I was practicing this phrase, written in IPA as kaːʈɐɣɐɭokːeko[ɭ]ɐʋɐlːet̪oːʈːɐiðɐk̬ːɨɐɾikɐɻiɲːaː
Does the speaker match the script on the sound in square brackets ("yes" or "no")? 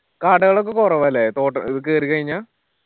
no